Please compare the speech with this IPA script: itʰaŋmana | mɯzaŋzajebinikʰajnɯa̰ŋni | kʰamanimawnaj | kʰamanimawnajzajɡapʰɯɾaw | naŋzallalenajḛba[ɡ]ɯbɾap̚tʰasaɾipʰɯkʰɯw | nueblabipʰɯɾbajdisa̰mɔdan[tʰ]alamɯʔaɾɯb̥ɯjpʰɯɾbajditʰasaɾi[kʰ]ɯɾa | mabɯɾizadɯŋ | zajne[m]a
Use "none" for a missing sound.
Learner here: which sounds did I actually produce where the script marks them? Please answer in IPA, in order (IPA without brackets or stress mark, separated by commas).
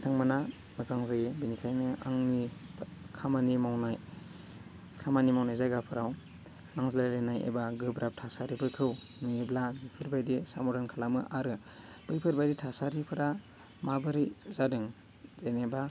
ɡ, kʰ, pʰ, b